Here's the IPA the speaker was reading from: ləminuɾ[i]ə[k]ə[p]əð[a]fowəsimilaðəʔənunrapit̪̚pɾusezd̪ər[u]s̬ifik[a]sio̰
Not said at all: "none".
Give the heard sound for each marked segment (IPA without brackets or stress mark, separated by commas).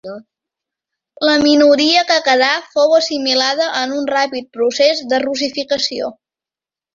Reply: i, k, k, a, u, ə